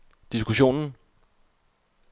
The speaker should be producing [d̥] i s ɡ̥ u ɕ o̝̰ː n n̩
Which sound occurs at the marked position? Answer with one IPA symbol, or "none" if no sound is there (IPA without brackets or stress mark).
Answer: d̥